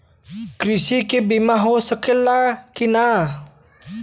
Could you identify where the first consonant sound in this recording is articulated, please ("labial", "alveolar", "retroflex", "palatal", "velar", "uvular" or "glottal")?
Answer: velar